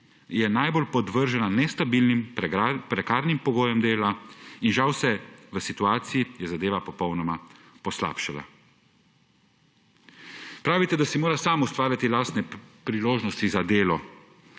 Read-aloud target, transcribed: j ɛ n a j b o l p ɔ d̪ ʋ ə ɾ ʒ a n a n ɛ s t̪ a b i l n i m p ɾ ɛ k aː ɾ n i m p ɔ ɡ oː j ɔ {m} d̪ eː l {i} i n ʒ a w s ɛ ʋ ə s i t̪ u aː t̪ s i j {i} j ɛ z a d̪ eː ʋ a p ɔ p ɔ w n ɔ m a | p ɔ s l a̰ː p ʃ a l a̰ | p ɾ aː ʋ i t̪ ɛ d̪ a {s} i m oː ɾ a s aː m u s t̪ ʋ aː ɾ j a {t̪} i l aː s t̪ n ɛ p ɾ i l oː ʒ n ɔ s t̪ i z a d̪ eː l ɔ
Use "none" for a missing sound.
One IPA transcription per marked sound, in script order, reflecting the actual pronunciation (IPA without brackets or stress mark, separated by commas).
m, a, i, s, t̪